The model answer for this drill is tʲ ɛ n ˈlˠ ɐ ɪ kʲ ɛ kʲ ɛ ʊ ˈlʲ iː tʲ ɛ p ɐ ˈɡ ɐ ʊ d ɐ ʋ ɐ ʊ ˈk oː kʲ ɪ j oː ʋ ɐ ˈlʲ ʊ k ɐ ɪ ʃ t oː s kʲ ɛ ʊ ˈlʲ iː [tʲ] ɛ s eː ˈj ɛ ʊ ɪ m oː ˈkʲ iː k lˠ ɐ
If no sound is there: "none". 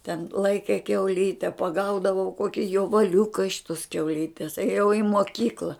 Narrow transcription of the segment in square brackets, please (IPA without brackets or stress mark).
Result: tʲ